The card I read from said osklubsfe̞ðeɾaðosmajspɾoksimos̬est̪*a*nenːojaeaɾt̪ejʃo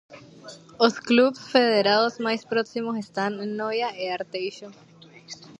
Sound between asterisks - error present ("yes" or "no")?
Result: no